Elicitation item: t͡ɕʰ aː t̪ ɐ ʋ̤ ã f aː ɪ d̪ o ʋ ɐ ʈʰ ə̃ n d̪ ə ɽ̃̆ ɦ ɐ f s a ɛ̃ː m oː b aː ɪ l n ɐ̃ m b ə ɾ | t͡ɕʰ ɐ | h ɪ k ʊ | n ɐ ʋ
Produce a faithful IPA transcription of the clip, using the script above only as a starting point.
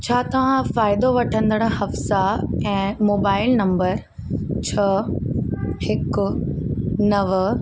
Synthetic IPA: t͡ɕʰ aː t̪ ɐ ʋ̤ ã f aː ɪ d̪ o ʋ ɐ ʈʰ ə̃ n d̪ ə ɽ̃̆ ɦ ɐ f s a ɛ̃ː m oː b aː ɪ l n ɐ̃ m b ə ɾ | t͡ɕʰ ɐ | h ɪ k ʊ | n ɐ ʋ